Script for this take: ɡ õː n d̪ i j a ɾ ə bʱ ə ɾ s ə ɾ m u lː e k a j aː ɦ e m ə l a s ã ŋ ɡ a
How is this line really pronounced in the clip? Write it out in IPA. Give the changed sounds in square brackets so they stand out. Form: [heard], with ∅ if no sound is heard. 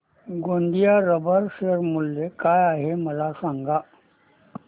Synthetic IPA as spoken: ɡ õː n d̪ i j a ɾ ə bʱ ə ɾ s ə ɾ m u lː e k a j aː ɦ e m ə l a s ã ŋ ɡ a